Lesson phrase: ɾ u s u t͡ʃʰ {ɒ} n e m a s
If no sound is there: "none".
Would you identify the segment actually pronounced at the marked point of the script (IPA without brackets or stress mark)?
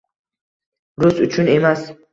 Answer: u